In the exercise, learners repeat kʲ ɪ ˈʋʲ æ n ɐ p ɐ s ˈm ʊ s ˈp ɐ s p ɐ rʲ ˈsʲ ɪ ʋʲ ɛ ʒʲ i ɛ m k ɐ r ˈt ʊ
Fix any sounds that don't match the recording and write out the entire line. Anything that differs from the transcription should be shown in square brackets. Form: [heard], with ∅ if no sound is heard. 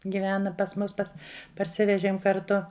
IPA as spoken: [ɡʲ] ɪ ˈʋʲ [æː] n ɐ p ɐ s ˈm ʊ s ˈp ɐ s p ɐ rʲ ˈsʲ ɪ ʋʲ ɛ ʒʲ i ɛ m k ɐ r ˈt ʊ